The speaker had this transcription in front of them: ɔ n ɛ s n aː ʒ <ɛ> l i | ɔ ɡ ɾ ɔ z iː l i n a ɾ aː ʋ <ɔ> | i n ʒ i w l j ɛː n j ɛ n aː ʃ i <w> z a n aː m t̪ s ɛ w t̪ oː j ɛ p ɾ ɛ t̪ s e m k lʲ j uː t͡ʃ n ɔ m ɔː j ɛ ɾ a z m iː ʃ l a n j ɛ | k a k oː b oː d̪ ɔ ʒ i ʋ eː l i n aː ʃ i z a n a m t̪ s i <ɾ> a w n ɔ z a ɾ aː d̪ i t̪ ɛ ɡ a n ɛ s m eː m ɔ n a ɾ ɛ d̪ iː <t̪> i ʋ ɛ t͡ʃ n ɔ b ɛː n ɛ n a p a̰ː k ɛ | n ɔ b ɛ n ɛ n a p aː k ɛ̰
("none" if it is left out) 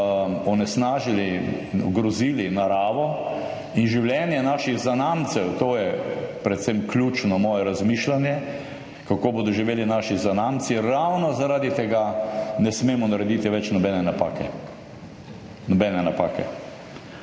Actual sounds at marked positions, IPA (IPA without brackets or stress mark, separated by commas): i, ɔ, ɣ, ɾ, t̪